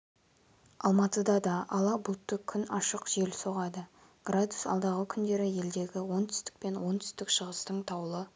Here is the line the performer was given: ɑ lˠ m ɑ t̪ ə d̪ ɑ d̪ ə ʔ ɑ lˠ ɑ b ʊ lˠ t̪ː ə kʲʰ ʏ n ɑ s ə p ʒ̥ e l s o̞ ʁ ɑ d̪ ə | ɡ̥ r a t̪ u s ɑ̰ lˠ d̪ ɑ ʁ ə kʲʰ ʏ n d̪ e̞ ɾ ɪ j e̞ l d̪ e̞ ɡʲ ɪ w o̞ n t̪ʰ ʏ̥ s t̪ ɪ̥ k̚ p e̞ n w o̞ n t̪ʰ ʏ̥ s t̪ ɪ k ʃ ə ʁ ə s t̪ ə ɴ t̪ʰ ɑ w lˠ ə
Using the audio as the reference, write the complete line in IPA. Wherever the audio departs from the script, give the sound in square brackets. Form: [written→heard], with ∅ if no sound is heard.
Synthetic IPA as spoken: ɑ lˠ m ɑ t̪ ə d̪ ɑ d̪ [ə→ɑ] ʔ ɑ lˠ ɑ b ʊ lˠ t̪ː ə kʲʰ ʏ n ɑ [s→ʃ] ə [p→q] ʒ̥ e l s o̞ ʁ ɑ d̪ ə | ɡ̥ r a [t̪→d̪] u s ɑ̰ lˠ d̪ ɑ ʁ ə kʲʰ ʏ n d̪ e̞ ɾ ɪ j e̞ l d̪ e̞ ɡʲ ɪ w o̞ n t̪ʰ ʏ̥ s t̪ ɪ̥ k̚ p e̞ n w o̞ n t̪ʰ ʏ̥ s t̪ ɪ k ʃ ə ʁ ə s t̪ ə ɴ t̪ʰ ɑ w lˠ ə